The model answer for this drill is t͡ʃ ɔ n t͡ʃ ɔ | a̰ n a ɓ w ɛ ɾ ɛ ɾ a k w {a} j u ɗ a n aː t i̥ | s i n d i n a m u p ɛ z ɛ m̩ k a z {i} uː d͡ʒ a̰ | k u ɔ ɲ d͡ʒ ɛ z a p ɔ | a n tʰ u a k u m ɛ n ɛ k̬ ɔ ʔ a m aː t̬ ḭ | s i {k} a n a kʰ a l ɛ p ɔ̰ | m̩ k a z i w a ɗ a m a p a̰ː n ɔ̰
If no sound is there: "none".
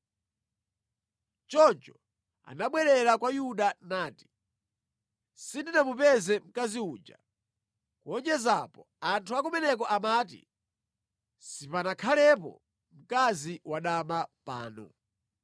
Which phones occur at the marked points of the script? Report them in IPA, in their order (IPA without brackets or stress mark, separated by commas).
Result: a, i, p